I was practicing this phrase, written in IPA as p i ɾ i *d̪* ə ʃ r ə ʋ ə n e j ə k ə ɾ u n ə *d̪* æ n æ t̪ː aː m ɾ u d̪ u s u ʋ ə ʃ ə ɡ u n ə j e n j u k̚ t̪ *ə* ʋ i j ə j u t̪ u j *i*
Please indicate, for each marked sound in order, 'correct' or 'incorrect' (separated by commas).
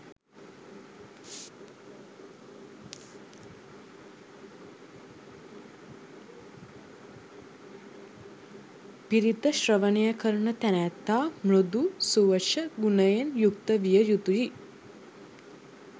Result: incorrect, incorrect, correct, correct